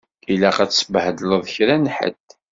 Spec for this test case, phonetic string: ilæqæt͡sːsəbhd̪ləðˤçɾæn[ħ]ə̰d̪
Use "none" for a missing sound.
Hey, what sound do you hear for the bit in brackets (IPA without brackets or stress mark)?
ħ